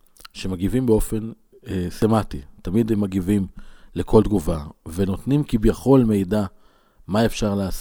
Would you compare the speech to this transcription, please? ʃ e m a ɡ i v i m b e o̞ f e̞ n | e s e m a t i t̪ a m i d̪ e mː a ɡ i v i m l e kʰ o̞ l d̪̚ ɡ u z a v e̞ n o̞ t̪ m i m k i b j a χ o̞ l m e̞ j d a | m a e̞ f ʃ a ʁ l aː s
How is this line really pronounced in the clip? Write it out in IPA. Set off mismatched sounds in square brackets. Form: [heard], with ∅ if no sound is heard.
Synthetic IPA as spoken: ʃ e m a ɡ i v i m b e o̞ f e̞ n | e s e m a t i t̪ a m i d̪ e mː a ɡ i v i m l e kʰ o̞ l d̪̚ ɡ u [v] a v e̞ n o̞ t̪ [n] i m k i b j a χ o̞ l m e̞ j d a | m a e̞ f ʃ a ʁ l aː s